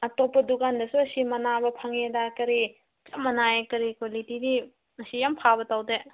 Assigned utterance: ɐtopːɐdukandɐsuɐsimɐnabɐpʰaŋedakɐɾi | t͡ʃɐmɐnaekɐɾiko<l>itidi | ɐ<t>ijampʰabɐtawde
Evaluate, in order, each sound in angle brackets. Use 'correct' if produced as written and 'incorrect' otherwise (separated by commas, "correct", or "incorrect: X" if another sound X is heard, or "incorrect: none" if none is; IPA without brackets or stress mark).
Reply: correct, incorrect: s